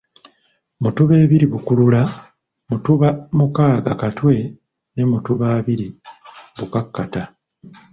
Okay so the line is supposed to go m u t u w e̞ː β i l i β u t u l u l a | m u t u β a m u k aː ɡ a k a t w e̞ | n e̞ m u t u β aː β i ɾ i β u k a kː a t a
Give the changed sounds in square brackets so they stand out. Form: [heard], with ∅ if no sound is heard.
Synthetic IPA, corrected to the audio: m u t u [β] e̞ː β i [ɾ] i β u [k] u l u l a | m u t u β a m u k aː ɡ a k a t w e̞ | n e̞ m u t u β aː β i ɾ i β u k a kː a t a